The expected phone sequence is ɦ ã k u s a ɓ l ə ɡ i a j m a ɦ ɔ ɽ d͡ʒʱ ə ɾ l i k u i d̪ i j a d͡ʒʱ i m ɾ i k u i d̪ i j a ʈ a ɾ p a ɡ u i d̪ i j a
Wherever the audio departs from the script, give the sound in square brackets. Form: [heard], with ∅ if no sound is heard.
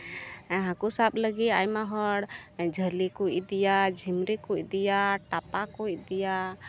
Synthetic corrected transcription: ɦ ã k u s a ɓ l ə ɡ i a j m a ɦ ɔ ɽ d͡ʒʱ ə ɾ l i k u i d̪ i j a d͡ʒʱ i m ɾ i k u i d̪ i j a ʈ a [∅] p a [k] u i d̪ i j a